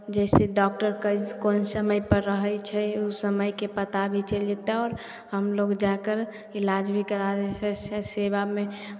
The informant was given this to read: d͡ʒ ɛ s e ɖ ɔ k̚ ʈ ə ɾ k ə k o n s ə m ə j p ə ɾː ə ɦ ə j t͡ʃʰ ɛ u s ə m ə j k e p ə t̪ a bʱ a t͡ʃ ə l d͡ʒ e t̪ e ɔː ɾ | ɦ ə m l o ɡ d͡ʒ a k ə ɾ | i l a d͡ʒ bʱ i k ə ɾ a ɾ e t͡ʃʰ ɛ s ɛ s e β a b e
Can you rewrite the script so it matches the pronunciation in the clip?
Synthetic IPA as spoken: d͡ʒ ɛ s e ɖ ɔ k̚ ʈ ə ɾ k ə k o n s ə m ə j p ə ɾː ə ɦ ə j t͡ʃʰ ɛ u s ə m ə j k e p ə t̪ a bʱ i t͡ʃ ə l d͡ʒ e t̪ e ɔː ɾ | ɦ ə m l o ɡ d͡ʒ a k ə ɾ | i l a d͡ʒ bʱ i k ə ɾ a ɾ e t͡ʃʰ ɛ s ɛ s e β a m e